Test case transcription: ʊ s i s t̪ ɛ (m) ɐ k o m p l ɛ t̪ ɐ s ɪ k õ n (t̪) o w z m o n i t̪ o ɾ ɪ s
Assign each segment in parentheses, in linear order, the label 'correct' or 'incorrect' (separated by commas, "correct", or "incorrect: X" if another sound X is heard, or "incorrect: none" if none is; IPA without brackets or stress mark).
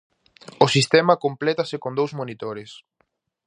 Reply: correct, incorrect: d̪